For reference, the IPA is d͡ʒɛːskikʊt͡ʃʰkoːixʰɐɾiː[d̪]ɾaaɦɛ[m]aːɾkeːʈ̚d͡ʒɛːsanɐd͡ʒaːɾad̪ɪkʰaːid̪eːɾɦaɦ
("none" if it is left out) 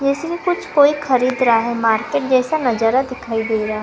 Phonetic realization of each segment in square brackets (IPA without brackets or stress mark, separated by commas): d̪, m